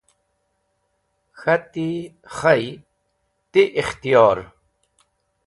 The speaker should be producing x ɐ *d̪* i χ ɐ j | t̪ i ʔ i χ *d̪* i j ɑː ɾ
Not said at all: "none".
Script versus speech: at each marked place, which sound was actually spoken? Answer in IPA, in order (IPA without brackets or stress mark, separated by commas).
t̪, t̪